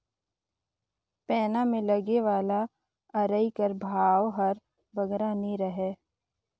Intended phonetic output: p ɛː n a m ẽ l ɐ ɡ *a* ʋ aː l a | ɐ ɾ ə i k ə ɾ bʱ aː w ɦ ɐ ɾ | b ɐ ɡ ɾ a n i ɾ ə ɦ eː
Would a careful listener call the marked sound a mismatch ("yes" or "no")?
yes